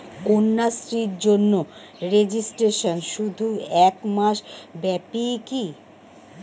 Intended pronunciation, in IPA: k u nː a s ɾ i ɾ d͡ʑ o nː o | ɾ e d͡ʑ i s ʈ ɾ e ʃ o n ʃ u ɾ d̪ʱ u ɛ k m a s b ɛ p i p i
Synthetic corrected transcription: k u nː a s ɾ i ɾ d͡ʑ o nː o | ɾ e d͡ʑ i s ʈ ɾ e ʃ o n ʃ u d̪ʱ u ɛ k m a ʃ b ɛ p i k i